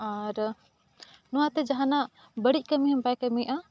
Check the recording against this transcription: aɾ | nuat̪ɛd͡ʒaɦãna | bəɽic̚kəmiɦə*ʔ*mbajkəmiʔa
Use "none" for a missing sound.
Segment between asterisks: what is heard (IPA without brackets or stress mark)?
none